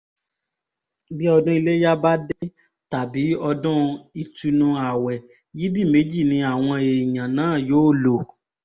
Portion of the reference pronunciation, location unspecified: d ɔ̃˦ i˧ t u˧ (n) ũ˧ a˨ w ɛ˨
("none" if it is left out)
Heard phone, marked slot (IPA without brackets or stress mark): n